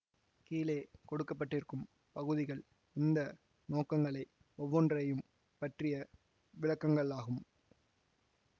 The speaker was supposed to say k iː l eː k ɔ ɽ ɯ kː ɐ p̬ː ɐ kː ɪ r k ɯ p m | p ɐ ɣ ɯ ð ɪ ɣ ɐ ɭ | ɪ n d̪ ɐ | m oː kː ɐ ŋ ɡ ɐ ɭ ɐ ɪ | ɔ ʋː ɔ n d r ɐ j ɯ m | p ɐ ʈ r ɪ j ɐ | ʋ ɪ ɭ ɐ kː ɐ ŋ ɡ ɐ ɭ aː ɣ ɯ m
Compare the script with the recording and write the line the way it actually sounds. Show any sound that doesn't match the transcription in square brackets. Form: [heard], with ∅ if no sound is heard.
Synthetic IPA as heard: k iː l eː k ɔ ɽ ɯ kː ɐ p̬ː ɐ [ʈː] ɪ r k ɯ [∅] m | p ɐ ɣ ɯ ð ɪ ɣ ɐ ɭ | ɪ n d̪ ɐ | [n] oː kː ɐ ŋ ɡ ɐ ɭ ɐ ɪ | ɔ ʋː ɔ n d r ɐ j ɯ m | p ɐ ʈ r ɪ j ɐ | ʋ ɪ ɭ ɐ kː ɐ ŋ ɡ ɐ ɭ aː ɣ ɯ m